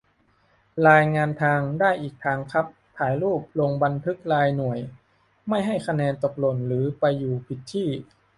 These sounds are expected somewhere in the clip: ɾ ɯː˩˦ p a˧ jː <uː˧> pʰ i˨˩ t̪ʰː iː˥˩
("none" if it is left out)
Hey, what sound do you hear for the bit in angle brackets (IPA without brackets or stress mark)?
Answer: uː˨˩